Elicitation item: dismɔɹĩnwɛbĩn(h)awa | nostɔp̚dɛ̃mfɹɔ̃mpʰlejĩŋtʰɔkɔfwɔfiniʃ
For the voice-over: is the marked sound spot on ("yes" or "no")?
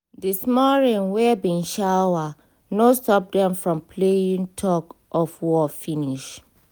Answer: no